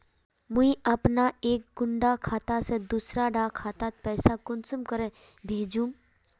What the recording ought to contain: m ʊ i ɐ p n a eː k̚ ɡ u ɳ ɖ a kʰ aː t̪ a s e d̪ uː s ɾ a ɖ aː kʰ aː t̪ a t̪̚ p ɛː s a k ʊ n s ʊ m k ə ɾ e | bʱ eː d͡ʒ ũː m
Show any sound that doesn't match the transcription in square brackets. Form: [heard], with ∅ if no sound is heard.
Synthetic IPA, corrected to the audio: m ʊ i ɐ p n a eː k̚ ɡ [ʊ] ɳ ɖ a kʰ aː t̪ a s e d̪ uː s ɾ a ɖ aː kʰ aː t̪ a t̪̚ p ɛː s a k ʊ n s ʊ m k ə ɾ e | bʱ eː d͡ʒ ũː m